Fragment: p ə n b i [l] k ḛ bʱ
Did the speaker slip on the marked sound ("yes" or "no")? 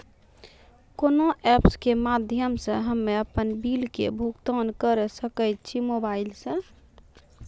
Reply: no